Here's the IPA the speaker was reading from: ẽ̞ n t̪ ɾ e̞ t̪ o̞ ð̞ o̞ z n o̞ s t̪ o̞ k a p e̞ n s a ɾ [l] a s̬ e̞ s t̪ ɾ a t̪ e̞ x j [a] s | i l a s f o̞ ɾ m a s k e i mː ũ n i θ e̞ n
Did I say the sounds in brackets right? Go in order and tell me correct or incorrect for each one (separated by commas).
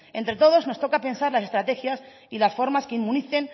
correct, correct